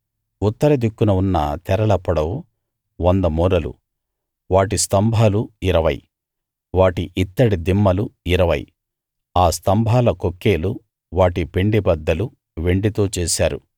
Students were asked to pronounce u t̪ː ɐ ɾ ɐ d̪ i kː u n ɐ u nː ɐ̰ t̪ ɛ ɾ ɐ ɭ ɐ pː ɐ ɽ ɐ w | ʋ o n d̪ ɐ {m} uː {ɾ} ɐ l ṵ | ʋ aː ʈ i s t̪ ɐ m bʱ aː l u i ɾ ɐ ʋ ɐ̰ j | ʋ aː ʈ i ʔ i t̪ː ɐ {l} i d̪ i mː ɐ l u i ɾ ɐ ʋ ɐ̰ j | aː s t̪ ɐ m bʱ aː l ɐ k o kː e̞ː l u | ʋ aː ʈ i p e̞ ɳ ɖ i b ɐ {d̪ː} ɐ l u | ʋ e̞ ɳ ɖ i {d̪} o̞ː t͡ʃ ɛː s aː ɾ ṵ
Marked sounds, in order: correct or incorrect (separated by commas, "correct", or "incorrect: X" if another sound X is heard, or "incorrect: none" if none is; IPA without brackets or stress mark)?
correct, correct, incorrect: ɽ, correct, incorrect: t̪